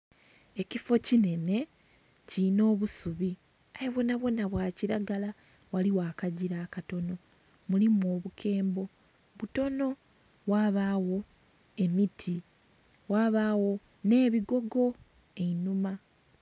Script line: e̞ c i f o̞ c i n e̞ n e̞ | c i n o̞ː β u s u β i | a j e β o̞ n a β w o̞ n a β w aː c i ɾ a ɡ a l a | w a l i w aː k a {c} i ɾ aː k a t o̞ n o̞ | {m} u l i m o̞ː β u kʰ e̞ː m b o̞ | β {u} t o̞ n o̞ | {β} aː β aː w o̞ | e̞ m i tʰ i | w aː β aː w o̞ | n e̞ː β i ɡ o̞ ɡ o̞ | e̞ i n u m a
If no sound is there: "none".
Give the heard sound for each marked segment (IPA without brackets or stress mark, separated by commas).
ɟ, m, u, w